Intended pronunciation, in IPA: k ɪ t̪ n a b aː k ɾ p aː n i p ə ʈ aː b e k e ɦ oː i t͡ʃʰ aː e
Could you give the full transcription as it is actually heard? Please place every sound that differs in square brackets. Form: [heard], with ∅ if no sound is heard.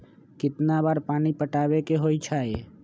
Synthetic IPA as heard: k ɪ t̪ n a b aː [∅] ɾ p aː n i p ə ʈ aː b e k e ɦ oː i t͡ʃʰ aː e